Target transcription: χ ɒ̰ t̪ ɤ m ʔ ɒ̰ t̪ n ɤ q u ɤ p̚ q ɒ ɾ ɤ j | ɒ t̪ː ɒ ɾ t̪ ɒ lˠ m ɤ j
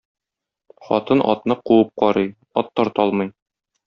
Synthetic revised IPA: χ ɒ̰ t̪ ɤ n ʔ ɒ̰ t̪ n ɤ q u ɤ p̚ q ɒ ɾ ɤ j | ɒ t̪ː ɒ ɾ t̪ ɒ lˠ m ɤ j